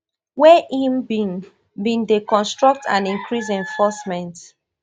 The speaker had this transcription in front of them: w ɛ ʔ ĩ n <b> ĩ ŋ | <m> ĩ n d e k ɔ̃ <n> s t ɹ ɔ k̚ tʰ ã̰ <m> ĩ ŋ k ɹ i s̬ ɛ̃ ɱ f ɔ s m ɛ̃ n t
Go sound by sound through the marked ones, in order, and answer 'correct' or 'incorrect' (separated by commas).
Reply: correct, incorrect, correct, incorrect